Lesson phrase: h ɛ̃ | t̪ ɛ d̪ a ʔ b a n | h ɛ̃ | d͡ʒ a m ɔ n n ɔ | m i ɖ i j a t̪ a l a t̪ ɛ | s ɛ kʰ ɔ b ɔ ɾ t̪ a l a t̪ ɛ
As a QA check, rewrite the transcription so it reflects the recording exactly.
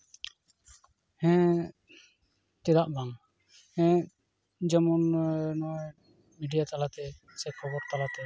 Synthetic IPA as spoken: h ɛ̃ | t̪ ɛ d̪ a ʔ b a ŋ | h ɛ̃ | d͡ʒ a m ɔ n n ɔ | m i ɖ i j a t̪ a l a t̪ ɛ | s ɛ kʰ ɔ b ɔ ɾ t̪ a l a t̪ ɛ